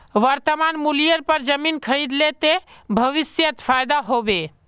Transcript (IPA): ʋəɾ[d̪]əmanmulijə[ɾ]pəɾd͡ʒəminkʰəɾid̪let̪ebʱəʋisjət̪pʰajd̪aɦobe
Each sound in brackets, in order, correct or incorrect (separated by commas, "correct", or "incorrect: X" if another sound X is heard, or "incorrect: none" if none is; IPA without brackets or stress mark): incorrect: t̪, correct